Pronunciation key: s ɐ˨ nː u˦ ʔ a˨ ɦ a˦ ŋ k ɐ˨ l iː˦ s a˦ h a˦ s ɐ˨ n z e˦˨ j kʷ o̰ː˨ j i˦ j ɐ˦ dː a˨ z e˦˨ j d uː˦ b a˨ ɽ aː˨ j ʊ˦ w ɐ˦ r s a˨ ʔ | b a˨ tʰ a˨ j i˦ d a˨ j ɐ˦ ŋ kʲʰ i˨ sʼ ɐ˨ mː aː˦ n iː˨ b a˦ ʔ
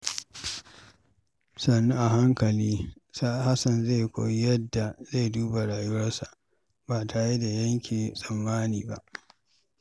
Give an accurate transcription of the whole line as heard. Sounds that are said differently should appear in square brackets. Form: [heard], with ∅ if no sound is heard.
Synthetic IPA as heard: s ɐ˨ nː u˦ ʔ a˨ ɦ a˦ ŋ k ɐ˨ l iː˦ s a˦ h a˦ s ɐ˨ n z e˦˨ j kʷ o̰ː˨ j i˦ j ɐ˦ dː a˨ z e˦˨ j d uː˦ b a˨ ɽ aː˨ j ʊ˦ w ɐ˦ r s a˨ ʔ | b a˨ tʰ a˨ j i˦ d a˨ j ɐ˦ ŋ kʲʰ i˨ sʼ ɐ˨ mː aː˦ n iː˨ b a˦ ʔ